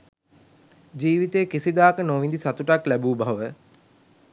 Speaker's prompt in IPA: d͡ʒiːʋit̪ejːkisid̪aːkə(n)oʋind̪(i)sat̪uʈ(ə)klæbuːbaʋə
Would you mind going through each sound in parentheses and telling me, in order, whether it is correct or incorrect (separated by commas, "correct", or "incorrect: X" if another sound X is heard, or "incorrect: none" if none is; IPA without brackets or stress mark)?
correct, correct, incorrect: a